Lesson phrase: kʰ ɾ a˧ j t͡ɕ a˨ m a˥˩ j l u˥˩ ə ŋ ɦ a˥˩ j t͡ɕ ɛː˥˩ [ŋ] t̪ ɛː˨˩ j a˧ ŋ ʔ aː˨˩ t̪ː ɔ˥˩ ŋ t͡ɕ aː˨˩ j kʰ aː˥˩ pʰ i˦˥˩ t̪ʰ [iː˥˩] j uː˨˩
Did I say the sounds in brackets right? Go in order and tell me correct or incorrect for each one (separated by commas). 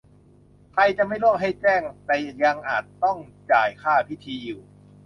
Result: correct, incorrect